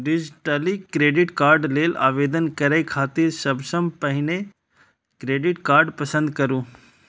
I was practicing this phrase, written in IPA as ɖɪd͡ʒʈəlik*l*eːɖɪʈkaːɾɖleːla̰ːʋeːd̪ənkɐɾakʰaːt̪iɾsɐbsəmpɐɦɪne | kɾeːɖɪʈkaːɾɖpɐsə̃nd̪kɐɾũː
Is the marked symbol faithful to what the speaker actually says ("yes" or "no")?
no